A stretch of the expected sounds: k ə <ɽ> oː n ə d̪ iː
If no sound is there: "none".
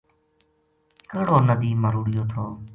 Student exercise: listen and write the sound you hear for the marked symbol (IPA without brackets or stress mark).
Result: ɽ